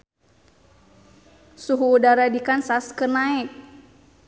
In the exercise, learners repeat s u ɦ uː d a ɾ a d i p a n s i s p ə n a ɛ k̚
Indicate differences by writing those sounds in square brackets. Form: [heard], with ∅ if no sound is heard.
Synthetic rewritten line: s u ɦ uː d a ɾ a d i [k] a n s [a] s [k] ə n a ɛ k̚